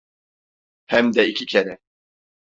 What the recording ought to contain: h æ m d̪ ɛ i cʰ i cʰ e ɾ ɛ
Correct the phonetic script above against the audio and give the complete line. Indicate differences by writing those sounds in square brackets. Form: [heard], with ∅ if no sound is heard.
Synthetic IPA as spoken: h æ m d̪ ɛ i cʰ i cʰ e ɾ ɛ